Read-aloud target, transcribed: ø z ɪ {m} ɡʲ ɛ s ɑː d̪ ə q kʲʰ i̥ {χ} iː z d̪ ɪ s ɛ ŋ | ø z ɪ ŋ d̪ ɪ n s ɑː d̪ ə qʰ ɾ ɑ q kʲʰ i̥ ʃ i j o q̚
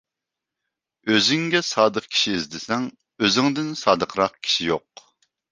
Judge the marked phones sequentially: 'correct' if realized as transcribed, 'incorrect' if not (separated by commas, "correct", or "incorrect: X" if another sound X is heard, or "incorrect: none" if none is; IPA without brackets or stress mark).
incorrect: ŋ, incorrect: ʃ